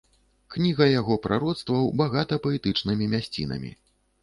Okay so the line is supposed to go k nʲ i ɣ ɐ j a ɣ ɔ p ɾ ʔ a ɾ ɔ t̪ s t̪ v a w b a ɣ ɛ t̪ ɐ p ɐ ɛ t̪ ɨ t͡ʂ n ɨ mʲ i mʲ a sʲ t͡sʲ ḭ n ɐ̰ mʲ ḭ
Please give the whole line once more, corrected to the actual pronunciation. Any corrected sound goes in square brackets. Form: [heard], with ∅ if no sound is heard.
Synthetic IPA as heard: k nʲ i ɣ ɐ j a ɣ ɔ p ɾ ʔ a ɾ ɔ t̪ s t̪ v [ɐ] w b a ɣ [a] t̪ ɐ p ɐ ɛ t̪ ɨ t͡ʂ n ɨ mʲ i mʲ a sʲ t͡sʲ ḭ n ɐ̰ mʲ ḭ